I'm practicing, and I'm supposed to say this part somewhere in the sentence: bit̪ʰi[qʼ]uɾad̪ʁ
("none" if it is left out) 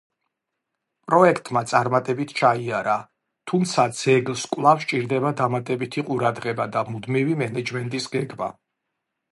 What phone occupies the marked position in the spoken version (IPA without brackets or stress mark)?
qʼ